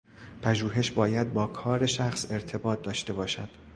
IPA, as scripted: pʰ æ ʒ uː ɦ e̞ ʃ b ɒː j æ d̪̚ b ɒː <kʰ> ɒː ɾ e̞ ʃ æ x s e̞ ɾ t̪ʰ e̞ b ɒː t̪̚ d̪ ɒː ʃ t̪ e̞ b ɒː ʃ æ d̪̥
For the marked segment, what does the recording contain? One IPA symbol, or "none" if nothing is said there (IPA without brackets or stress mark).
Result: kʰ